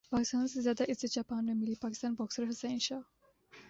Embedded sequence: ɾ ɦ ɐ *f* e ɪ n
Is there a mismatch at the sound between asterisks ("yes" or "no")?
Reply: yes